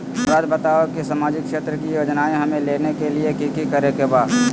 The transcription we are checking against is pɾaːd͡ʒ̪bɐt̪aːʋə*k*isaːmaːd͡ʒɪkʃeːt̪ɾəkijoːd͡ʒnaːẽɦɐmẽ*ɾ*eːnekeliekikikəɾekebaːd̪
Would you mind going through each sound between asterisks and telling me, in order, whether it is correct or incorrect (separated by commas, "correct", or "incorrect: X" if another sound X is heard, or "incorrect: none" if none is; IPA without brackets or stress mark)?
correct, incorrect: l